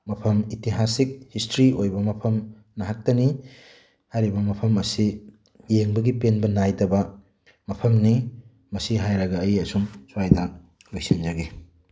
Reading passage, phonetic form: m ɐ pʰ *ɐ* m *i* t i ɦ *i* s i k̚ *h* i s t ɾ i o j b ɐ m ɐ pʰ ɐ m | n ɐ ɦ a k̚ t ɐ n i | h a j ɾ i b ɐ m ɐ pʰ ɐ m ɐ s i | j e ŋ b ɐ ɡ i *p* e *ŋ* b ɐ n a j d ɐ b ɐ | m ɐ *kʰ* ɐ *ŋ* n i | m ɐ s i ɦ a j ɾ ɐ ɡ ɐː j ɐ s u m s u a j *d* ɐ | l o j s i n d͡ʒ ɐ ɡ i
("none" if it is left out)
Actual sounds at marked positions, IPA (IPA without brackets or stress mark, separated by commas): ɐ, i, a, h, p, n, pʰ, m, d